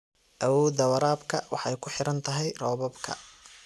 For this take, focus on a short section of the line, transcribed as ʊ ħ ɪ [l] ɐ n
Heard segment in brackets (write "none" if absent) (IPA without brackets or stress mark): ɾ